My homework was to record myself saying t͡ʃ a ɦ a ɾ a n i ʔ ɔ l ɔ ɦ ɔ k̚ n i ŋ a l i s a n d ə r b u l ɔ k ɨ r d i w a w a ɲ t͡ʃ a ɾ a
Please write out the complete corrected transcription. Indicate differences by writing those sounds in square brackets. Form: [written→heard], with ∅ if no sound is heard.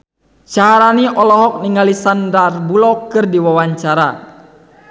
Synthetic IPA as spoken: t͡ʃ a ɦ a ɾ a n i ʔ ɔ l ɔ ɦ ɔ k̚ n i ŋ a l i s a n d [ə→a] r b u l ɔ k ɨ r d i w a w a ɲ t͡ʃ a ɾ a